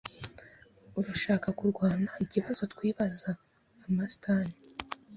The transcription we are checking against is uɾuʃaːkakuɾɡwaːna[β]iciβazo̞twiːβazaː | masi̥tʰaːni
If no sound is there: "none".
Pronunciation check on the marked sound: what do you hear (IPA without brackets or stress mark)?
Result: none